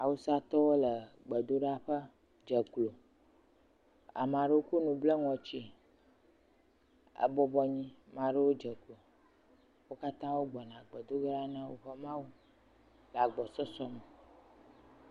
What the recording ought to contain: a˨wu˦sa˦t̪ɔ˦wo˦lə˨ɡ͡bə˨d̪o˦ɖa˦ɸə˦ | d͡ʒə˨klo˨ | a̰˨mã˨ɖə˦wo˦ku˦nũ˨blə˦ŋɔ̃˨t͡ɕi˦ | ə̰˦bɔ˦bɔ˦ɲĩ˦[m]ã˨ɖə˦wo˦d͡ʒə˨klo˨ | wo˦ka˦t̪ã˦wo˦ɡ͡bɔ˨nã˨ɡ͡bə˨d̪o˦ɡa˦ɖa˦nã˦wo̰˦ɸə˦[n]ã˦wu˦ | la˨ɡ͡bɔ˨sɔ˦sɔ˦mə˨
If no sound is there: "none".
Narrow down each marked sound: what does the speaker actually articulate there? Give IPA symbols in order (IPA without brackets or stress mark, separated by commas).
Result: m, m